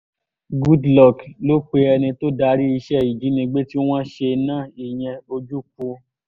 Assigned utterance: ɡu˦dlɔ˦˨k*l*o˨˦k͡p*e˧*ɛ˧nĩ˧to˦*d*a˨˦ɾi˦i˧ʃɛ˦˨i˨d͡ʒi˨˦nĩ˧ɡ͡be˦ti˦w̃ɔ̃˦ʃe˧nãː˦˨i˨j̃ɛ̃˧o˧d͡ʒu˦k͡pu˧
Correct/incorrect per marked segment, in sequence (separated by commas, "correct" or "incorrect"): correct, correct, correct